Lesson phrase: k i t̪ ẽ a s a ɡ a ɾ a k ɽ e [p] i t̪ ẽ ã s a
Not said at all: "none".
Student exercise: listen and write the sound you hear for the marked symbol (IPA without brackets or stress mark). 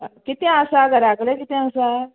k